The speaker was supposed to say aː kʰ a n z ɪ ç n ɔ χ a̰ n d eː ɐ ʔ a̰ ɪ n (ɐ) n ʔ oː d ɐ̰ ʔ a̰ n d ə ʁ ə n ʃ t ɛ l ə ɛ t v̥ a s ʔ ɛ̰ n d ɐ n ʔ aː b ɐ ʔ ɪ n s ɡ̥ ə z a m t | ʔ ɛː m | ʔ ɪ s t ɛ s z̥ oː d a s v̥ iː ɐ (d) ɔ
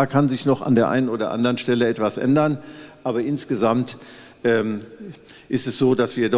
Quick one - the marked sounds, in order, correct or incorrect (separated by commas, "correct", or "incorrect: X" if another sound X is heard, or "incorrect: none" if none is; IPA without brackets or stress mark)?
incorrect: ə, correct